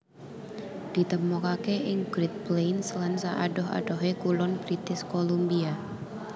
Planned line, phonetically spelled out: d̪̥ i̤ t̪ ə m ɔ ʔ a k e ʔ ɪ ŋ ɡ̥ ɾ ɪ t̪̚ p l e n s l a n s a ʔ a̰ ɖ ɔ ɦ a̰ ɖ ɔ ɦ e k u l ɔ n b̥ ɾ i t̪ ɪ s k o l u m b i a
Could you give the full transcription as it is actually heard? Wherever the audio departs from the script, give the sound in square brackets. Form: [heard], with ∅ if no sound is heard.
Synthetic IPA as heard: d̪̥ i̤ t̪ ə m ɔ [k] a k e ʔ ɪ ŋ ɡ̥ ɾ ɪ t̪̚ p l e n s l a n s a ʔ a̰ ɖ ɔ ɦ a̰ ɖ ɔ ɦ e k u l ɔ n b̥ ɾ i t̪ ɪ s k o l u m b i a

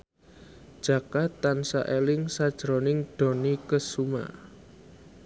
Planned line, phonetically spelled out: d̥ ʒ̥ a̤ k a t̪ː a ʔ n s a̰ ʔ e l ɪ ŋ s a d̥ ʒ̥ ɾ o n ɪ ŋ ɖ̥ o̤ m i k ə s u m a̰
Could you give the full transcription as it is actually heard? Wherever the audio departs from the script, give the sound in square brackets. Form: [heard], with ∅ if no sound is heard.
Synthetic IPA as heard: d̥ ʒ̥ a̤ k a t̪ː a [∅] n s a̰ ʔ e l ɪ ŋ s a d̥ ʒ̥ ɾ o n ɪ ŋ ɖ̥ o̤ [n] i k ə s u m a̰

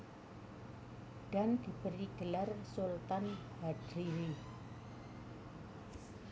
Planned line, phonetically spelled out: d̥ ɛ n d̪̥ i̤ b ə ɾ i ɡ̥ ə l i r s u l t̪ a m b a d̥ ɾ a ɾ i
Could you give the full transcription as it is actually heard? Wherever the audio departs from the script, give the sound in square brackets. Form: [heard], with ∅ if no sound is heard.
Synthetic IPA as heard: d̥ [a] n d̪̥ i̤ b ə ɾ i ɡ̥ ə l [a] r s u l t̪ a [n] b a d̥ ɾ [i] ɾ i

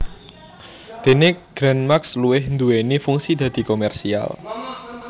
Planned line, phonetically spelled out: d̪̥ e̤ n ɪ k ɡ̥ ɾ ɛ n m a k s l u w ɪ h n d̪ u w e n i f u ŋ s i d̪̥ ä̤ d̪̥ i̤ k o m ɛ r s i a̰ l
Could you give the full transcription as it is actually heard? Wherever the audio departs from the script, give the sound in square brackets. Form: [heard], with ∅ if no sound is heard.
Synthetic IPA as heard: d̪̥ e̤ n ɪ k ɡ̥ ɾ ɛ n m a k s l u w ɪ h n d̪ u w e n i f u ŋ s i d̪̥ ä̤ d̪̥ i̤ k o m ɛ r s i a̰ l

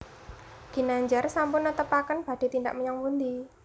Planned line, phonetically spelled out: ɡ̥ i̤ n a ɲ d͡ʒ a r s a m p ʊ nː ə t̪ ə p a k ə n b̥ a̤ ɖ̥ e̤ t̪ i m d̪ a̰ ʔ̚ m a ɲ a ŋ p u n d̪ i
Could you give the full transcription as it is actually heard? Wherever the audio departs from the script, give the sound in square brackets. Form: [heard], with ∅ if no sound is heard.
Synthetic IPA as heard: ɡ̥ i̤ n a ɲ d͡ʒ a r s a m p ʊ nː ə t̪ ə p a k ə n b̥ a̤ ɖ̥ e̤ t̪ i [n] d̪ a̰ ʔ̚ m [ə] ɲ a ŋ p u n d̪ i

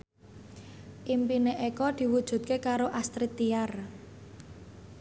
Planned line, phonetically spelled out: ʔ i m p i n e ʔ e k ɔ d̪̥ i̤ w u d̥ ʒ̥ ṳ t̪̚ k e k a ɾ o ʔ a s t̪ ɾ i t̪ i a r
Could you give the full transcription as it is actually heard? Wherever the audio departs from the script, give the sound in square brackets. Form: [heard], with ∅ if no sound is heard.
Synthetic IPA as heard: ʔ i m p i n e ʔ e k ɔ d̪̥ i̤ w u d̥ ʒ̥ ṳ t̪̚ k e k a ɾ o ʔ a s t̪ ɾ i t̪ i a r

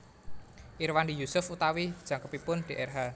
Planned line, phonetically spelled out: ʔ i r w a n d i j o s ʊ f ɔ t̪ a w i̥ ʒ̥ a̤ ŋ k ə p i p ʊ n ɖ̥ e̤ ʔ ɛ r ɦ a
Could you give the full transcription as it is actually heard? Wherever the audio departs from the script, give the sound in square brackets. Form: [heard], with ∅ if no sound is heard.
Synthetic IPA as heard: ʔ i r w a n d i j [u] s ʊ f [u] t̪ a w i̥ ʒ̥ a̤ ŋ k ə p i p ʊ n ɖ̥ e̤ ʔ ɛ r ɦ a

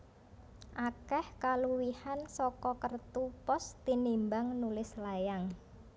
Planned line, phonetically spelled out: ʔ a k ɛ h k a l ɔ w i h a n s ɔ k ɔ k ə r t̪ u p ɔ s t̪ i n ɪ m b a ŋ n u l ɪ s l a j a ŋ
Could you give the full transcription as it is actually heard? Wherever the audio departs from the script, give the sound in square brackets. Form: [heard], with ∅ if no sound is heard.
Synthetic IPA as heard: ʔ a k ɛ h k a l [u] w i h a n s ɔ k ɔ k ə r t̪ u p ɔ s t̪ i n [i] m b a ŋ n u l ɪ s l a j a ŋ

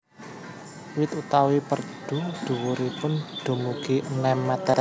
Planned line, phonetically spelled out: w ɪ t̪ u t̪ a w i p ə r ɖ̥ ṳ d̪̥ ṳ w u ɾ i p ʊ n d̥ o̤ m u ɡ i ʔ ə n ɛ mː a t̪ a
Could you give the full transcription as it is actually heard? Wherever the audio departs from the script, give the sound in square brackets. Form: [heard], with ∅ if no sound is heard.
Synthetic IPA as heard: w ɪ t̪ u t̪ a w i p ə r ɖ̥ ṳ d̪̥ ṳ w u ɾ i p ʊ n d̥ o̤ m u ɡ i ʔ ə n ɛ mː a t̪ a

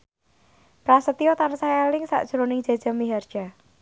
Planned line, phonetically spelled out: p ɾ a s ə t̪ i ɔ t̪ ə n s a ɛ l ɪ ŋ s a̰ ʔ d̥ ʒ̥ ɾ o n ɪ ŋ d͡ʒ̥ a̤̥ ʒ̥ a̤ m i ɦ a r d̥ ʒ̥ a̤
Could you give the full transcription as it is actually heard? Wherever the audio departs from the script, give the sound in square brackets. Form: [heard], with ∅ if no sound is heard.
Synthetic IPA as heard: p ɾ a s ə t̪ i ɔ t̪ [a] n s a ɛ l ɪ ŋ s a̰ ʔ d̥ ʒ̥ ɾ o n ɪ ŋ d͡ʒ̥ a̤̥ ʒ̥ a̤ m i ɦ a r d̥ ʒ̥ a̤

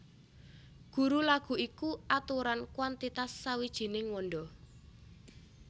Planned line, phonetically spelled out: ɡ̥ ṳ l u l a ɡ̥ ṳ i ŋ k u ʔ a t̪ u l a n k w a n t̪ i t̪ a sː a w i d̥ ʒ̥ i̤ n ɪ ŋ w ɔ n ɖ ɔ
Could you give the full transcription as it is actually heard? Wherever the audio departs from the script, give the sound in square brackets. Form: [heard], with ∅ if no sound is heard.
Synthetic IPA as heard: ɡ̥ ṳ [ɾ] u l a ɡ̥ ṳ i [∅] k u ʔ a t̪ u [ɾ] a n k w a n t̪ i t̪ a sː a w i d̥ ʒ̥ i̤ n ɪ ŋ w ɔ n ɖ ɔ

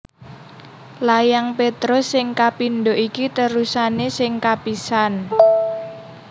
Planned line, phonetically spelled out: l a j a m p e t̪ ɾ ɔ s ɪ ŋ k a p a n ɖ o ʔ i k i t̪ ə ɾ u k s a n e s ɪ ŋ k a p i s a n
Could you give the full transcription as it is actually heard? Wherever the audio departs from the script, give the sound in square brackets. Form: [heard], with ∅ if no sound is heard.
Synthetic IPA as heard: l a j a [ŋ] p e t̪ ɾ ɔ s ɪ ŋ k a p [i] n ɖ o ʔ i k i t̪ ə ɾ u [∅] s a n e s ɪ ŋ k a p i s a n

